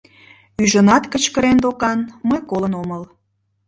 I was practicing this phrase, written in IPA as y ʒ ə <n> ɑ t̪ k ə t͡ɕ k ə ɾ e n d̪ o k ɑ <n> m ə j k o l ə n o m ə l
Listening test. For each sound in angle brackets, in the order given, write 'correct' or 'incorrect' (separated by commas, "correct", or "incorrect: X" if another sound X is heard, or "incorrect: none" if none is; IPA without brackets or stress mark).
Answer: correct, correct